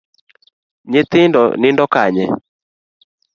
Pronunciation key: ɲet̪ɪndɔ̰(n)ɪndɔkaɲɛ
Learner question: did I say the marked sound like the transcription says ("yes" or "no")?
yes